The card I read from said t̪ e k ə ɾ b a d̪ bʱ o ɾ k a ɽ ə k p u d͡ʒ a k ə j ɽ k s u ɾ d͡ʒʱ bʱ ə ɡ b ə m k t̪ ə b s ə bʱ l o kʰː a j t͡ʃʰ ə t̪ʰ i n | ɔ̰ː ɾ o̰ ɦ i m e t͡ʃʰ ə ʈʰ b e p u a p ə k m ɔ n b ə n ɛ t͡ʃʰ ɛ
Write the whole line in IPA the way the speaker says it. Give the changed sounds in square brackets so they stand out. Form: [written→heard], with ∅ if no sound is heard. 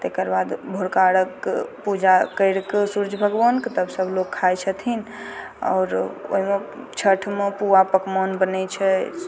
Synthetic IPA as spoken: t̪ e k ə ɾ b a d̪ bʱ o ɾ k a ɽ ə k p u d͡ʒ a k ə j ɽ k s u ɾ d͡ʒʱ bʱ ə ɡ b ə [m→n] k t̪ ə b s ə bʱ l o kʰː a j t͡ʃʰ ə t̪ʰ i n | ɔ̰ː ɾ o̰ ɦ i m e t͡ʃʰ ə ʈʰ [b→m] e p u a p ə k m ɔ n b ə n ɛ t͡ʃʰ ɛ